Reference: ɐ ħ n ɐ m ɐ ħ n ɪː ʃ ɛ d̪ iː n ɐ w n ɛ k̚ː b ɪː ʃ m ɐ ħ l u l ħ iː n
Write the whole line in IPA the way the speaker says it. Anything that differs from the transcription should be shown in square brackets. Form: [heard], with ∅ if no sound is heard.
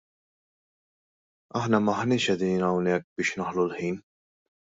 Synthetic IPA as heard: ɐ ħ n ɐ m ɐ ħ n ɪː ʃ ɛ d̪ iː n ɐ w n ɛ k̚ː b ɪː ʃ [n] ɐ ħ l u l ħ iː n

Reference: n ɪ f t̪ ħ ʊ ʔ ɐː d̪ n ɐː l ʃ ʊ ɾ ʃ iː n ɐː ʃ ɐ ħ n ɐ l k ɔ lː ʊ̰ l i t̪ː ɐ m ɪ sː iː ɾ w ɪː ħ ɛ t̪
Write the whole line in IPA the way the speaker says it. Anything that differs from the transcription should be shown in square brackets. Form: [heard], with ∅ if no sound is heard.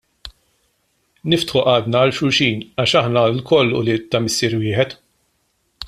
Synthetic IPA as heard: n ɪ f t̪ ħ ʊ ʔ ɐː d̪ n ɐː l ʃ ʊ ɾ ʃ iː n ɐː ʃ ɐ ħ n ɐ l k ɔ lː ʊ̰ l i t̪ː ɐ m ɪ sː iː ɾ w ɪː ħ ɛ t̪

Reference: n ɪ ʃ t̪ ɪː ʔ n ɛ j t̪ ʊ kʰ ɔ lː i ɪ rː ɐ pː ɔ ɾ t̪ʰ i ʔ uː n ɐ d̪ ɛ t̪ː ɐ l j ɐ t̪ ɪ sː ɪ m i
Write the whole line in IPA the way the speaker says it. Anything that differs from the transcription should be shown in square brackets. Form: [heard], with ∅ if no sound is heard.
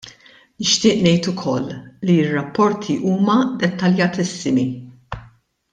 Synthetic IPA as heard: n ɪ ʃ t̪ ɪː ʔ n ɛ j t̪ ʊ kʰ ɔ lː i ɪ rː ɐ pː ɔ ɾ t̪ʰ i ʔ uː [m] ɐ d̪ ɛ t̪ː ɐ l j ɐ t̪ ɪ sː ɪ m i

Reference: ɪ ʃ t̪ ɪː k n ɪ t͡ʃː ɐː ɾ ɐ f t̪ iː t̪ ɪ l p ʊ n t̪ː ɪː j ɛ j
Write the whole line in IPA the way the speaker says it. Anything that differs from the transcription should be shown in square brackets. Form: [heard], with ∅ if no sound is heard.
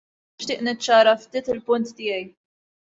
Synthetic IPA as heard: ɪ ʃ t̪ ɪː [ʔ] n ɪ t͡ʃː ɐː ɾ ɐ f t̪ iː t̪ ɪ l p ʊ n t̪ː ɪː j ɛ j

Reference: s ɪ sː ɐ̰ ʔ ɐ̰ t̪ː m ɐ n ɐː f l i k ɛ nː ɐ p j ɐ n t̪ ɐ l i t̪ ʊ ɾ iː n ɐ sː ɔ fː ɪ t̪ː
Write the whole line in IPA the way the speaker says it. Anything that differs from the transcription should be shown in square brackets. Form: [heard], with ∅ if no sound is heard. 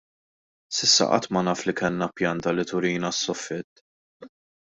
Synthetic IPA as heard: s ɪ sː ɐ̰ ʔ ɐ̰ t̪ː m ɐ n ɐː f l i k ɛ nː ɐ p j ɐ n t̪ ɐ l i t̪ ʊ ɾ iː n ɐ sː ɔ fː ɪ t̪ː

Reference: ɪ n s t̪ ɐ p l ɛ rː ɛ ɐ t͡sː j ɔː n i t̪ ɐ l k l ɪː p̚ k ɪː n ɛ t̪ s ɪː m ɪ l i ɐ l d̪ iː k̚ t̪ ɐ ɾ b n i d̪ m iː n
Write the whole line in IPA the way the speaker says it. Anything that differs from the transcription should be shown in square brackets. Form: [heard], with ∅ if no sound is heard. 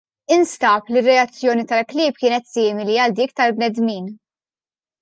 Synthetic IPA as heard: ɪ n s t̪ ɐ p l [i] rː ɛ ɐ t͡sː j ɔː n i t̪ ɐ l k l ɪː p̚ k ɪː n ɛ t̪ s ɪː m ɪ l i ɐ l d̪ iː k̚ t̪ ɐ [l] b n [ɛ] d̪ m iː n

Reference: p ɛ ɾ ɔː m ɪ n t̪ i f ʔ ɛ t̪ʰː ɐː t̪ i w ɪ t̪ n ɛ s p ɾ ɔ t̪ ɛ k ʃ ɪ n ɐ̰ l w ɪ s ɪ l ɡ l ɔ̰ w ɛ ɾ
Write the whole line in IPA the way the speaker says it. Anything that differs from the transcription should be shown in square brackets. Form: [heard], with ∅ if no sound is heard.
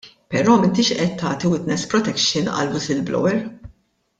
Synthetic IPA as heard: p ɛ ɾ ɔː m ɪ n t̪ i [ʃ] ʔ ɛ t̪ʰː ɐː t̪ i w ɪ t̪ n ɛ s p ɾ ɔ t̪ ɛ k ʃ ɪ n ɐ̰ l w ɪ s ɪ l [b] l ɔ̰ w ɛ ɾ

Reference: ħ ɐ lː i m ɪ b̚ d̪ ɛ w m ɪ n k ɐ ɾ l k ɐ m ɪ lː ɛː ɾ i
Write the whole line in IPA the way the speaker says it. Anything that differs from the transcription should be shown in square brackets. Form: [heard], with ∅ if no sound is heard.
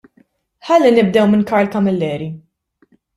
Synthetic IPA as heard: ħ ɐ lː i [n] ɪ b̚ d̪ ɛ w m ɪ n k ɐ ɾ l k ɐ m ɪ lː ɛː ɾ i

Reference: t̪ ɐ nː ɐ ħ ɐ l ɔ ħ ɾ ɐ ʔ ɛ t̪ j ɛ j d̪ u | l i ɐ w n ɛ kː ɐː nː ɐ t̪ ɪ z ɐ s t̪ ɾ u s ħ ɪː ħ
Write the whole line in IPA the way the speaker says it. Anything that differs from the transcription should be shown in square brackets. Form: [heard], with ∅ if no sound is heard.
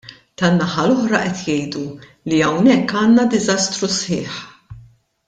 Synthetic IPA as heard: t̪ ɐ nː ɐ ħ ɐ l ɔ ħ ɾ ɐ ʔ ɛ t̪ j ɛ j d̪ u | l i ɐ w n ɛ kː ɐː nː ɐ [d̪] ɪ z ɐ s t̪ ɾ u s ħ ɪː ħ

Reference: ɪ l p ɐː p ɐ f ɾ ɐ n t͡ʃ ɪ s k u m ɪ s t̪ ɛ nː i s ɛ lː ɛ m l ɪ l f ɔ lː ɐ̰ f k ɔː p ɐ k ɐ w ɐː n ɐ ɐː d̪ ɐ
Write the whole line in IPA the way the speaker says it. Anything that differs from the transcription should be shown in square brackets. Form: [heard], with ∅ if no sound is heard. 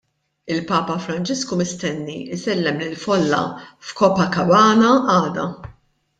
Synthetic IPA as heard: ɪ l p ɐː p ɐ f ɾ ɐ n t͡ʃ ɪ s k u m ɪ s t̪ ɛ nː i s ɛ lː ɛ m l ɪ l f ɔ lː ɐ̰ f k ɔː p ɐ k ɐ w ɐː n ɐ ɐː d̪ ɐ

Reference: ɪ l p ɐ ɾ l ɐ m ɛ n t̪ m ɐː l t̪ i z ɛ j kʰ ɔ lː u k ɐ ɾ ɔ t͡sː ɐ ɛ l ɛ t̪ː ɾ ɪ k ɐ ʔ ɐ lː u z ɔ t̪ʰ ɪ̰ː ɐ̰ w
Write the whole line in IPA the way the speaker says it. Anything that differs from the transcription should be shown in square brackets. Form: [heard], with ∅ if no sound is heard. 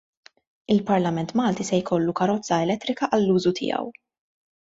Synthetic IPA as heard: ɪ l p ɐ ɾ l ɐ m ɛ n t̪ m ɐː l t̪ i [s] ɛ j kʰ ɔ lː u k ɐ ɾ ɔ t͡sː ɐ ɛ l ɛ t̪ː ɾ ɪ k ɐ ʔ ɐ lː [uː] z [u] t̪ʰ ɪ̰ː ɐ̰ w

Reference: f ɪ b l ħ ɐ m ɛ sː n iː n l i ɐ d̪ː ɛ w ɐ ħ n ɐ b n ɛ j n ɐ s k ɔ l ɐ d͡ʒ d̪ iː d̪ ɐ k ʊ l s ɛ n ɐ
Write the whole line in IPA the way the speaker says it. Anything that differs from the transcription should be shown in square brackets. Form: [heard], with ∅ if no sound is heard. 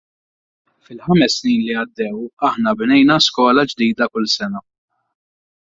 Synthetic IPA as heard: f ɪ [∅] l ħ ɐ m ɛ sː n iː n l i ɐ d̪ː ɛ w ɐ ħ n ɐ b n ɛ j n ɐ s k [ɔː] l ɐ d͡ʒ d̪ iː d̪ ɐ k ʊ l s ɛ n ɐ

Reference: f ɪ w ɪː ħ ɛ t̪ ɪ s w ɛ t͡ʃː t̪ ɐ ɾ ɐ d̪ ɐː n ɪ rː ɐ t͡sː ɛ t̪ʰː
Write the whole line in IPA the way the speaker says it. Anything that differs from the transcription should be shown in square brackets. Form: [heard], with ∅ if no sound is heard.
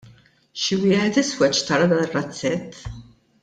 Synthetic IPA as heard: [ʃ] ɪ w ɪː ħ ɛ t̪ ɪ s w ɛ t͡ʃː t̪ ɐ ɾ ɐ d̪ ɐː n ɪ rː ɐ t͡sː ɛ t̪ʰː

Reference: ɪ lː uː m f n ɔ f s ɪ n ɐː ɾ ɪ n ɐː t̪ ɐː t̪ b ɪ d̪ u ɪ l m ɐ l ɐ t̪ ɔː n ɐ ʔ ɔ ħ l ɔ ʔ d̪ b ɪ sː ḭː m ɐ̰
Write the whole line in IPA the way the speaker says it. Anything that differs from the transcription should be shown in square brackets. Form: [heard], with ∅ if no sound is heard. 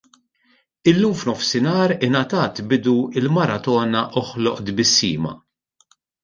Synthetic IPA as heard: ɪ lː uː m f n ɔ f s ɪ n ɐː ɾ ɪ n [ɐ] t̪ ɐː t̪ b ɪ d̪ u ɪ l m ɐ [ɾ] ɐ t̪ ɔː n ɐ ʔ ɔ ħ l ɔ ʔ d̪ b ɪ sː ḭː m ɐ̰

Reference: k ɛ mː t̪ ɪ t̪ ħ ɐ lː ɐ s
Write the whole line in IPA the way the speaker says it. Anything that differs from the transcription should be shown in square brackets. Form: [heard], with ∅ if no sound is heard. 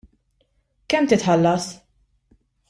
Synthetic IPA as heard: k ɛ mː t̪ ɪ t̪ ħ ɐ lː ɐ s

